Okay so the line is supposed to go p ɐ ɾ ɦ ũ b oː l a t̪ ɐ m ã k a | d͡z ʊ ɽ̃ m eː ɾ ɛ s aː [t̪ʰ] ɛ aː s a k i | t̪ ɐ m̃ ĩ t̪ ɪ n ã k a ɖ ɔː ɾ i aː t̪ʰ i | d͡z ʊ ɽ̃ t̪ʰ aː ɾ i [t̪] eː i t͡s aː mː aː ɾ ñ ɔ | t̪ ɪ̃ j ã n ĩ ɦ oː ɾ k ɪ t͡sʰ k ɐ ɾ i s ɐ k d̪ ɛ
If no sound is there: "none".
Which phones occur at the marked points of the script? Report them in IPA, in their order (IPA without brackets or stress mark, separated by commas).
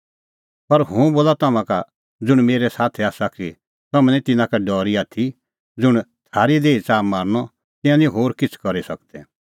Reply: t̪ʰ, d̪